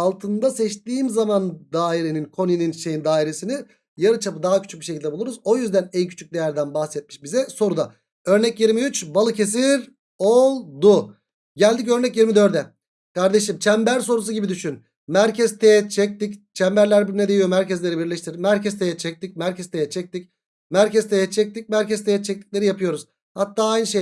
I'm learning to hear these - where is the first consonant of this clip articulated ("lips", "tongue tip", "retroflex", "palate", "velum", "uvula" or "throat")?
tongue tip